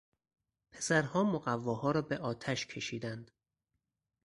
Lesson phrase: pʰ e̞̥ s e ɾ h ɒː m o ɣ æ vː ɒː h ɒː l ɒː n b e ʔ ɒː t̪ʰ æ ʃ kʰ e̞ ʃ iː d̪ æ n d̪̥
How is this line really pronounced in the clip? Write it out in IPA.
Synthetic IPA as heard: pʰ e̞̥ s æ ɾ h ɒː m o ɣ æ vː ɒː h ɒː ɾ ɒː b e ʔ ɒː t̪ʰ æ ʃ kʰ e̞ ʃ iː d̪ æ n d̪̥